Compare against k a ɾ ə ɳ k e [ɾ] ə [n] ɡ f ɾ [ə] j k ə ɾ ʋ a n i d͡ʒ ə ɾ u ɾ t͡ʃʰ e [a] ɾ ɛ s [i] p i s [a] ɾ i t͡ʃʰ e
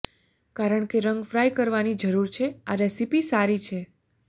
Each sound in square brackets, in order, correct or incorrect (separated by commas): correct, incorrect, incorrect, correct, correct, correct